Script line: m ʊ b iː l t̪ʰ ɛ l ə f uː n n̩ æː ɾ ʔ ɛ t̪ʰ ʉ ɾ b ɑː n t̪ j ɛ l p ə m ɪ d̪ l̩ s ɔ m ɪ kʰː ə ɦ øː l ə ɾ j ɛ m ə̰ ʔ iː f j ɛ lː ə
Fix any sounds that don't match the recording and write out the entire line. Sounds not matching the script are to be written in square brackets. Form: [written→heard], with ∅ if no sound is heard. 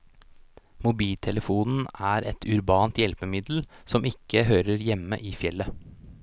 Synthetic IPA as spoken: m ʊ b iː l t̪ʰ ɛ l ə f uː n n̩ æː ɾ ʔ ɛ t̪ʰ ʉ ɾ b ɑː n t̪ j ɛ l p ə m ɪ d̪ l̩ s ɔ m ɪ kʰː ə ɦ øː [l→ɾ] ə ɾ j ɛ m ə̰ ʔ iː f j ɛ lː ə